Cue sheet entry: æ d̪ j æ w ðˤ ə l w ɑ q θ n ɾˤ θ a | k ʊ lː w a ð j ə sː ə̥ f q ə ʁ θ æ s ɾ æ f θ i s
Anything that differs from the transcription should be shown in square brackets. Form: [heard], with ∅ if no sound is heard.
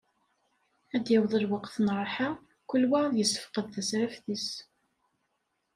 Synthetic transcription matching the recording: æ d̪ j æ w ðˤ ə l w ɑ q θ n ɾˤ [ħ] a | k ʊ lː w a ð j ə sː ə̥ f q ə [ð] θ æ s ɾ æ f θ i s